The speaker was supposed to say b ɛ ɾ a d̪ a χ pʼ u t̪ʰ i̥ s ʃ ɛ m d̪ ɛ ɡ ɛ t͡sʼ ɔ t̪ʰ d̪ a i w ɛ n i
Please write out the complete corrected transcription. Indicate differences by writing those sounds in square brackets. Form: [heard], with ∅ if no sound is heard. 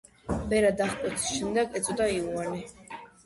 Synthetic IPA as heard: b ɛ ɾ a d̪ a χ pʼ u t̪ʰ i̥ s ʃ ɛ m d̪ ɛ ɡ ɛ t͡sʼ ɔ [∅] d̪ a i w [a] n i